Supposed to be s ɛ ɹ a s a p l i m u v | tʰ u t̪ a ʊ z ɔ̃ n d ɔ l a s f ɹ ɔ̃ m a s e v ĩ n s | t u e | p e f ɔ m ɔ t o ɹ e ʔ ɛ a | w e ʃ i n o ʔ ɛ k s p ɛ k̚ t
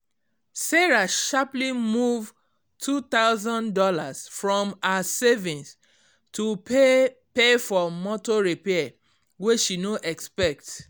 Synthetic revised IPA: s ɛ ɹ a ʃ a p l i m u v | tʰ u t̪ a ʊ z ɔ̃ n d ɔ l a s f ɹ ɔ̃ m a s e v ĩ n s | t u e | p e f ɔ m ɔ t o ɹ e p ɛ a | w e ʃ i n o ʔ ɛ k s p ɛ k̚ t